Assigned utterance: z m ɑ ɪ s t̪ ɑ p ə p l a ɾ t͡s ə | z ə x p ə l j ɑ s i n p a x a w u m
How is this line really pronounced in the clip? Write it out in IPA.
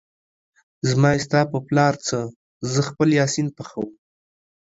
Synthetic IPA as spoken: z m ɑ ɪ s t̪ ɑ p ə p l ɑ ɾ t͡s ə | z ə x p ə l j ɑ s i n p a x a w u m